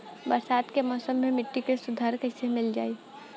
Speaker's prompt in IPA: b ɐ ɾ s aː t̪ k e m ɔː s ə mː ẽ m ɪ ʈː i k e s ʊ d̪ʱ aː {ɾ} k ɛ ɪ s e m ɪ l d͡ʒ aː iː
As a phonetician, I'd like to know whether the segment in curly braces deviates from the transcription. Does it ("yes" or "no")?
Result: no